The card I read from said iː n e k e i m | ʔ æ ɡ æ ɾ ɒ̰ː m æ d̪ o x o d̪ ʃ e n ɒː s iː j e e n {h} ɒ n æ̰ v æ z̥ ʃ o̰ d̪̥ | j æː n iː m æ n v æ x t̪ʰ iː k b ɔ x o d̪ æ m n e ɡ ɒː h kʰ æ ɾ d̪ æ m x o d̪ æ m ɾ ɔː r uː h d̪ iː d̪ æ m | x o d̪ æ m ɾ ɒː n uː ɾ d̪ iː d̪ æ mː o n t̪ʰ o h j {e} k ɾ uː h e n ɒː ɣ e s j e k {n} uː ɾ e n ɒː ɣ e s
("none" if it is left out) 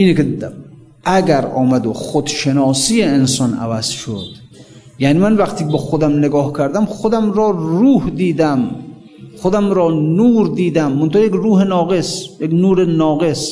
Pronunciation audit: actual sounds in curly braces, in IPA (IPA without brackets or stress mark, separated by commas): s, e, n